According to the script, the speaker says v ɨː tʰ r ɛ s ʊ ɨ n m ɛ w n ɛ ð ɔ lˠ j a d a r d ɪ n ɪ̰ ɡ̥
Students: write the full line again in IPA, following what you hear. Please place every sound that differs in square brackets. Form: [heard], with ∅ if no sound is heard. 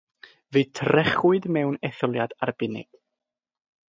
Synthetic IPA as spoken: v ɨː tʰ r ɛ [χ] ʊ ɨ [d] m ɛ w n ɛ [θ] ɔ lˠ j a d a r [b] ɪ n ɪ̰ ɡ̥